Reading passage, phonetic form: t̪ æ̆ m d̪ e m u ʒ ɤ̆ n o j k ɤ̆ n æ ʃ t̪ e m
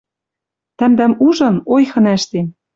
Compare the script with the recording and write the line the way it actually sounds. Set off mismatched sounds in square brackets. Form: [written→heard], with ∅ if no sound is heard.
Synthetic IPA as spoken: t̪ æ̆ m d̪ [e→æ] m u ʒ ɤ̆ n o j [k→x] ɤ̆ n æ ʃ t̪ e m